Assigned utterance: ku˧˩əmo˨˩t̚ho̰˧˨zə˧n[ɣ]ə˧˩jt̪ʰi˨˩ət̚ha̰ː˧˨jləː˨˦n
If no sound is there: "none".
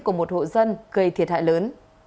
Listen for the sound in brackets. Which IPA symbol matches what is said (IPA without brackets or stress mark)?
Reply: ɣ